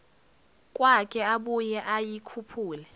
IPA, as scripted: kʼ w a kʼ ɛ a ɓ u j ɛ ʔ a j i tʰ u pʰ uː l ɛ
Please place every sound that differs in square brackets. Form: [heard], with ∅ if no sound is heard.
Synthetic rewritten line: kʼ w a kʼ ɛ a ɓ u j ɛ ʔ a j i [kʰ] u pʰ uː l ɛ